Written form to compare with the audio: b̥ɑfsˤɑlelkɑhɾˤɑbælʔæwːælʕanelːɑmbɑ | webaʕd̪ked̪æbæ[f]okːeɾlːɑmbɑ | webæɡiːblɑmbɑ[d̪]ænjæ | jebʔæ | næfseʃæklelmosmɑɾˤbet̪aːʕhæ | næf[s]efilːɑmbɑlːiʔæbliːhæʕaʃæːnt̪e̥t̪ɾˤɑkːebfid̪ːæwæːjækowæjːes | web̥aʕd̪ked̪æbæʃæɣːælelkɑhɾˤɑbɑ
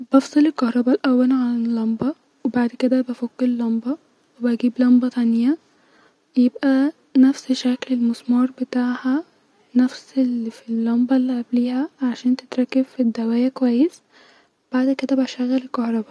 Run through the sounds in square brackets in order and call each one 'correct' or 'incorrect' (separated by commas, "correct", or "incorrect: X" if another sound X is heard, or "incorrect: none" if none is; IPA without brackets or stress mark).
correct, incorrect: t̪, correct